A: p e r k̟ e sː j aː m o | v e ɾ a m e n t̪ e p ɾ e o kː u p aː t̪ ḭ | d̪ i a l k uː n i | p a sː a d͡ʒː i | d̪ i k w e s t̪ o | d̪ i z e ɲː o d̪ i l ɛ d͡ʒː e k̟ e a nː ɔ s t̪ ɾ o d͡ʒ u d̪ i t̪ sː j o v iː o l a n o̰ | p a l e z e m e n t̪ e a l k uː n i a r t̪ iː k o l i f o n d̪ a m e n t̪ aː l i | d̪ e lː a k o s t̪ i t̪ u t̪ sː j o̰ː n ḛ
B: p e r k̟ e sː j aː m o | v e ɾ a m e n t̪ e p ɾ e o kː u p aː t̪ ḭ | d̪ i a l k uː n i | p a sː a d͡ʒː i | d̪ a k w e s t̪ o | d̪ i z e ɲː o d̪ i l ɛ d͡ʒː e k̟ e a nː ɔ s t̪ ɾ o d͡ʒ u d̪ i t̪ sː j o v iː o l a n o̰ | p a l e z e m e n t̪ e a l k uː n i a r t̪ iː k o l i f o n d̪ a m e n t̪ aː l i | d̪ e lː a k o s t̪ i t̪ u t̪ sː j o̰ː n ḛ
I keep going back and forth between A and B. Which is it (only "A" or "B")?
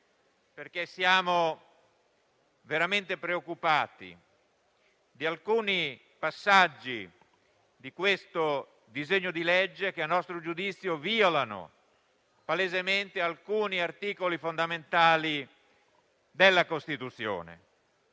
A